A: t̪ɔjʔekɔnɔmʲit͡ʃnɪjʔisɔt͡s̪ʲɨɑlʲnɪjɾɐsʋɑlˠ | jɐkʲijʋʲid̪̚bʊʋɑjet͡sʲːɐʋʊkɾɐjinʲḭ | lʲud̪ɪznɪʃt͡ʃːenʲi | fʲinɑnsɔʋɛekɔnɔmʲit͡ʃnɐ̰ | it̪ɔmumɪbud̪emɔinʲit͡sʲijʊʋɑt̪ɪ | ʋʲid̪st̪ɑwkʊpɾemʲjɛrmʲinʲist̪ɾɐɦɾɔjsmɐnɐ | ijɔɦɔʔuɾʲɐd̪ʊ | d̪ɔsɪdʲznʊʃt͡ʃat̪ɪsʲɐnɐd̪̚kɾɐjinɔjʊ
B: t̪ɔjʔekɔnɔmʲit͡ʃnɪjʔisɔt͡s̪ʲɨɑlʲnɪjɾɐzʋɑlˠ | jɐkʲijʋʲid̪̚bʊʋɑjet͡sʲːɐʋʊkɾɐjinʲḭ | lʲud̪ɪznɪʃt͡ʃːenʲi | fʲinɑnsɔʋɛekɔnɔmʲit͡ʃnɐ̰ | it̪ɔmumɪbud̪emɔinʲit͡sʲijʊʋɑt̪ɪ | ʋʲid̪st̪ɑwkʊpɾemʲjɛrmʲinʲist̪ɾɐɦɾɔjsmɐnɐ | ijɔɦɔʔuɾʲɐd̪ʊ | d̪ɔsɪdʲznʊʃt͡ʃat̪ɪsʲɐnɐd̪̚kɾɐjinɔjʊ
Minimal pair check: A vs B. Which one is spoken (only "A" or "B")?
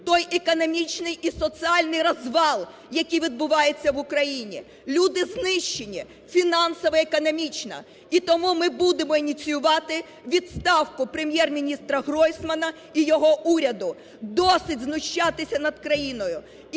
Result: B